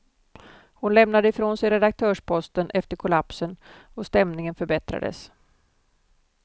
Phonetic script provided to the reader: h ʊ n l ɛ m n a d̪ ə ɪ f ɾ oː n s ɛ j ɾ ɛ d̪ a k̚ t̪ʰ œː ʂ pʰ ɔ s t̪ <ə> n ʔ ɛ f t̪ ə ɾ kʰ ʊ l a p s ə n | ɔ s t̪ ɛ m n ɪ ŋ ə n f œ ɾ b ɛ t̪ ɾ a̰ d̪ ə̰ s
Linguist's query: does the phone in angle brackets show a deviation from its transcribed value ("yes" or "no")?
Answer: no